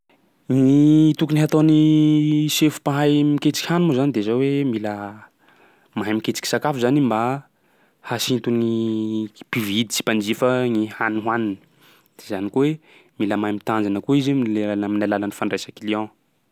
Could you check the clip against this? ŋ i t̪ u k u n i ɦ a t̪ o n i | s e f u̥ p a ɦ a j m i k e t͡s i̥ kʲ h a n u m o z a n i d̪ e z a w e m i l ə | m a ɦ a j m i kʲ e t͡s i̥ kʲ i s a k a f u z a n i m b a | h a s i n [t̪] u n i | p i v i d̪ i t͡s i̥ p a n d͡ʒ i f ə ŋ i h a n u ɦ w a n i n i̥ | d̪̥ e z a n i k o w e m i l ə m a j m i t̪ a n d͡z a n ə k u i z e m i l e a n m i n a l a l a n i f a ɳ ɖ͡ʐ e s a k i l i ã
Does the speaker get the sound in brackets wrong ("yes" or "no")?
no